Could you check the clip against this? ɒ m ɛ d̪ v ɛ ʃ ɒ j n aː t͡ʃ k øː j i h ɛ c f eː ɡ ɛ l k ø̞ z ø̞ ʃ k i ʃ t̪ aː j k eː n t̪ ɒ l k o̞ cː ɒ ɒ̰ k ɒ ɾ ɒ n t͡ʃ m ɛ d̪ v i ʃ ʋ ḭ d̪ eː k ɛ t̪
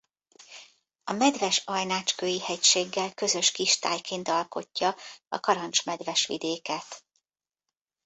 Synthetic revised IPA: ɒ m ɛ d̪ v ɛ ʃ ɒ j n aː t͡ʃ k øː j i h ɛ c ʃ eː ɡː ɛ l k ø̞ z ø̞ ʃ k i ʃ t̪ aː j k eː n t̪ ɒ l k o̞ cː ɒ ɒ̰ k ɒ ɾ ɒ n t͡ʃ m ɛ d̪ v ɛ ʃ ʋ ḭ d̪ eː k ɛ t̪